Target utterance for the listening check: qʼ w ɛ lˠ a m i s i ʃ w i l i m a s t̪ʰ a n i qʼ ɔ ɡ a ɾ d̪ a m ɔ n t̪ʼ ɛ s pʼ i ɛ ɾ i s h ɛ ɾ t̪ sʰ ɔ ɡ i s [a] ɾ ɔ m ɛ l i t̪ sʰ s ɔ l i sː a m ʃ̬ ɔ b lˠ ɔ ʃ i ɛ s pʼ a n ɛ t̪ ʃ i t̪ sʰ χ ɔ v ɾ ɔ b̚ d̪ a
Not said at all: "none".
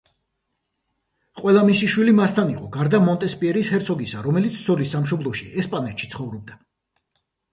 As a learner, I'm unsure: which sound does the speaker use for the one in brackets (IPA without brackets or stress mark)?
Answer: a